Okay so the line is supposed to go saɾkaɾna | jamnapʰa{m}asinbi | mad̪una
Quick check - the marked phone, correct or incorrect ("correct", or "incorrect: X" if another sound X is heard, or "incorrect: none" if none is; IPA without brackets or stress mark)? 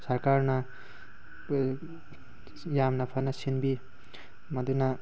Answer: incorrect: n